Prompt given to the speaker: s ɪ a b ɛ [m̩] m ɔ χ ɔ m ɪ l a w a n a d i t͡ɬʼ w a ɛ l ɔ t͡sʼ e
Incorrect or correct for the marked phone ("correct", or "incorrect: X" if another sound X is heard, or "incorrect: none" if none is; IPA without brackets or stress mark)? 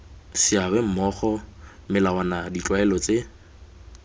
correct